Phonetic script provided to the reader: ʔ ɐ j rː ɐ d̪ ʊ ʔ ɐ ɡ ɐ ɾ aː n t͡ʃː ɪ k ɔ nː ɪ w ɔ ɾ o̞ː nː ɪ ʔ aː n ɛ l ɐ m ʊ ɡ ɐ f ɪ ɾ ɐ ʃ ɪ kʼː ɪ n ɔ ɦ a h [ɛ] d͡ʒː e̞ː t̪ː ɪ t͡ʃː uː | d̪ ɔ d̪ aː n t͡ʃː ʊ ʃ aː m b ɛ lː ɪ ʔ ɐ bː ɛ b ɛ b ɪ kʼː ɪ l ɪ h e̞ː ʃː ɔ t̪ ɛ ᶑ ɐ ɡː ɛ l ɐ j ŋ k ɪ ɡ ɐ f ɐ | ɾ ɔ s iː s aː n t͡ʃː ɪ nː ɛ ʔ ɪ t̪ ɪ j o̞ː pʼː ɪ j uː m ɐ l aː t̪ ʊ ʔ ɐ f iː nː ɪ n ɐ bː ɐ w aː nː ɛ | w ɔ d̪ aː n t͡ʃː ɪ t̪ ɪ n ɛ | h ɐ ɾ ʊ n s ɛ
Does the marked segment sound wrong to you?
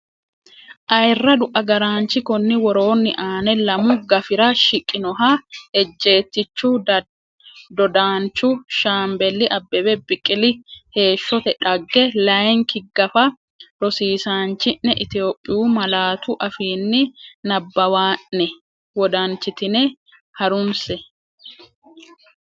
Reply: no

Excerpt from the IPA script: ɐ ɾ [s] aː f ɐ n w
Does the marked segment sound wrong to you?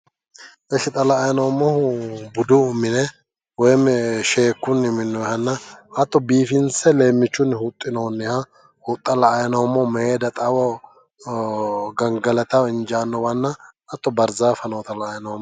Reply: yes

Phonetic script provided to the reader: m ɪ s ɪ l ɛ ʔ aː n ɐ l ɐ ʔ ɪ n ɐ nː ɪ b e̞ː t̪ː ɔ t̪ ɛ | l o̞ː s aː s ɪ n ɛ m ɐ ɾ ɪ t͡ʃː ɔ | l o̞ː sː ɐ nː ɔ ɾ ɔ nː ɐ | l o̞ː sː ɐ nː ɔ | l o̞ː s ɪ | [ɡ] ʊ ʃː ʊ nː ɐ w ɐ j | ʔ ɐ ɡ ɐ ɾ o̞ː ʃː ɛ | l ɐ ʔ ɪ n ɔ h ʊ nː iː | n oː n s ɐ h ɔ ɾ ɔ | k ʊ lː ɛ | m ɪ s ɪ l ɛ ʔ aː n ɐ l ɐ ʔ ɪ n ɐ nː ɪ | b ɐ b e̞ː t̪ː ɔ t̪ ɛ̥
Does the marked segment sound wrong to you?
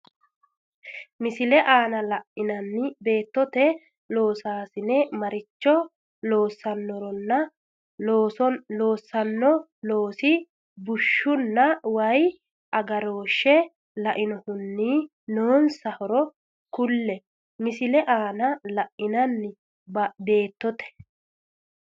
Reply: yes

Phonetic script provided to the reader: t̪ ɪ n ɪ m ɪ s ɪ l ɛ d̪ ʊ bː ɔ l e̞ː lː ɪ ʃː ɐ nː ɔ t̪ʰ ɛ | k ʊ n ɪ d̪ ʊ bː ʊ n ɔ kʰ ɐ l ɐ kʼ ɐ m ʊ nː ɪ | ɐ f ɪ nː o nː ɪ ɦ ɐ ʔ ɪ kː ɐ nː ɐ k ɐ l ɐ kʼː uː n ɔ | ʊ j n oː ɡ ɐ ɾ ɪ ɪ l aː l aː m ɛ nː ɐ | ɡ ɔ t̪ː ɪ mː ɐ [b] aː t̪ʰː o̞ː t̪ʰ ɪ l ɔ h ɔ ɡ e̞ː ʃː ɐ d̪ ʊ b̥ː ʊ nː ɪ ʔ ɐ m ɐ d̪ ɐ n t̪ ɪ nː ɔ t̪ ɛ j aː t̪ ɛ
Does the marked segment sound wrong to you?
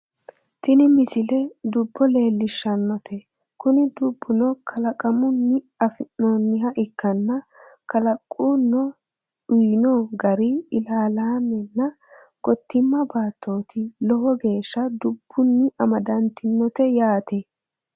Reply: no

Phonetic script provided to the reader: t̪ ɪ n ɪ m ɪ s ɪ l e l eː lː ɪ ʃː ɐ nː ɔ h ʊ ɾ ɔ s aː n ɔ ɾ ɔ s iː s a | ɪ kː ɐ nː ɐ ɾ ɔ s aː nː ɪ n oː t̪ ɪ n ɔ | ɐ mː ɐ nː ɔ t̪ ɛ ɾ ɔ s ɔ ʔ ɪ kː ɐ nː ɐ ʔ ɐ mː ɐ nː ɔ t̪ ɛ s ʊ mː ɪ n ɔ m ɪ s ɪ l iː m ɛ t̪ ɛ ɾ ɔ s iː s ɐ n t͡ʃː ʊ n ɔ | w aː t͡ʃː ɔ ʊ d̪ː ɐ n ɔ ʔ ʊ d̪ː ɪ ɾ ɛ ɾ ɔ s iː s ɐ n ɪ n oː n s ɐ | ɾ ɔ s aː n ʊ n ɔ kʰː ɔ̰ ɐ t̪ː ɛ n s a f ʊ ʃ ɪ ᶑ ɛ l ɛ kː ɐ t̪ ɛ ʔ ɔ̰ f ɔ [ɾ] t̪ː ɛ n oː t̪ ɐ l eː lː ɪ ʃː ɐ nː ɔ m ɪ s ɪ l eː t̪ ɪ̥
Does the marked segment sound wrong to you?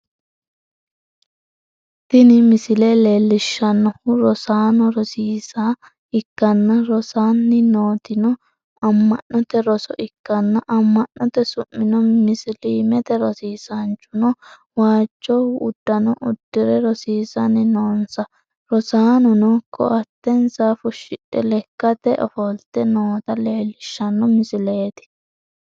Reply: yes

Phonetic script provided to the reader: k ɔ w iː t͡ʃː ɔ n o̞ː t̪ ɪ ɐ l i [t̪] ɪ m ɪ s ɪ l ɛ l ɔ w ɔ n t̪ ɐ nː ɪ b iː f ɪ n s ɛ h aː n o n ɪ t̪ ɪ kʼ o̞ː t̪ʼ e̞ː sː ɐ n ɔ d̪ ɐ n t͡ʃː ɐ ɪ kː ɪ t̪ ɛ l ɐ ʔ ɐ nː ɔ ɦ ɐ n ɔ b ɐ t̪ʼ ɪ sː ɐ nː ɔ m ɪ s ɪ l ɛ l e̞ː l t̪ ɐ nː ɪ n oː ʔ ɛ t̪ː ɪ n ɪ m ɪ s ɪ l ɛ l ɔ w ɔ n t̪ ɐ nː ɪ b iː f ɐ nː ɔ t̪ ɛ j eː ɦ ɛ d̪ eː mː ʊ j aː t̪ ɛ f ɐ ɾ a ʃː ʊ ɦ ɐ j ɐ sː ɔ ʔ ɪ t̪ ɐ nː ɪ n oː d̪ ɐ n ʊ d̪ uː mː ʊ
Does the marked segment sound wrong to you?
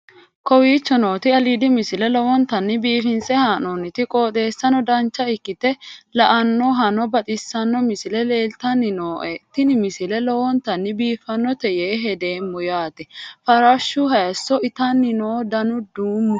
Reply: yes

